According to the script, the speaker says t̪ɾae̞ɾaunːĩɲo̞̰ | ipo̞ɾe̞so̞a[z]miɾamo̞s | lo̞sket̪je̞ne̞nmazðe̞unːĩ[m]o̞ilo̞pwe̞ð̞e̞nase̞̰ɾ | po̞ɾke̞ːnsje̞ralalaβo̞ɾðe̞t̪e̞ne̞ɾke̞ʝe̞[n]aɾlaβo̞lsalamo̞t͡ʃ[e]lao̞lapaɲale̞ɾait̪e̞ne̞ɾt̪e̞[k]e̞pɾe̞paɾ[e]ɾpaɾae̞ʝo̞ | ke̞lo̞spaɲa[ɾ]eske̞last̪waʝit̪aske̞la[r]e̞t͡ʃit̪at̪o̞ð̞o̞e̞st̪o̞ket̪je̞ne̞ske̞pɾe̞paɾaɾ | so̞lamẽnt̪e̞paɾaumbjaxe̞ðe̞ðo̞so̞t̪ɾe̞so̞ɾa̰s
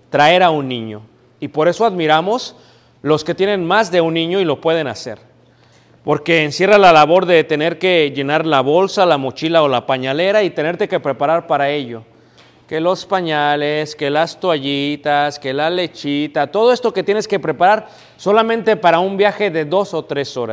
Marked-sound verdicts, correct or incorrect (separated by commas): incorrect, incorrect, correct, incorrect, correct, incorrect, incorrect, incorrect